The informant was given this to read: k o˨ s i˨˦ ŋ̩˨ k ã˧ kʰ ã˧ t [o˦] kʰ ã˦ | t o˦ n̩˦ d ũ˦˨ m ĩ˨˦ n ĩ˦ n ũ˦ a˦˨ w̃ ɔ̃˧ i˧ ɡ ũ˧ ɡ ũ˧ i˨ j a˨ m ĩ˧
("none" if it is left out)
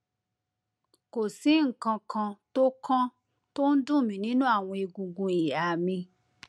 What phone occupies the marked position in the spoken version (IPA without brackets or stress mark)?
o˦